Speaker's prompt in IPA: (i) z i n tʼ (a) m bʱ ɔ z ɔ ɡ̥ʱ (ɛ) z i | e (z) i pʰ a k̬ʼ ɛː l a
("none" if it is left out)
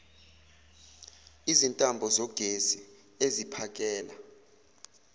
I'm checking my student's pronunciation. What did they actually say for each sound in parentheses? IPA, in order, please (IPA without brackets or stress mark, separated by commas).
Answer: i, a, e, z